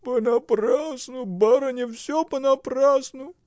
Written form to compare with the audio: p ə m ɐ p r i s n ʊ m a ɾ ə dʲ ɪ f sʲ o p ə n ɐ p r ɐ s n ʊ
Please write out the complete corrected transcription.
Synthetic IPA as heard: p ə n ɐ p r a s n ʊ b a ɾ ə nʲ ɪ f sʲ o p ə n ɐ p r a s n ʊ